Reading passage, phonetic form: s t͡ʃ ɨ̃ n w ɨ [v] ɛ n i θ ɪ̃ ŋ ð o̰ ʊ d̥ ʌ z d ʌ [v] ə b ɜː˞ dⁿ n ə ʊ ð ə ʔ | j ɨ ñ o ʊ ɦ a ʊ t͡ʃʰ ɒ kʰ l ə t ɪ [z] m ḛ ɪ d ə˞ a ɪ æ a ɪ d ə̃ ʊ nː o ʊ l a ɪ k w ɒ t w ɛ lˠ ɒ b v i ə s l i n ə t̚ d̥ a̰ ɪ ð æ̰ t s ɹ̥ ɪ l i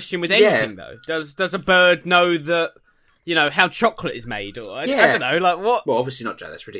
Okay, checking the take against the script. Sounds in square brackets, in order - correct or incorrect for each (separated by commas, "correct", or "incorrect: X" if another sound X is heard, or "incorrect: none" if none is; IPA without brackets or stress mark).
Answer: incorrect: ð, incorrect: z, correct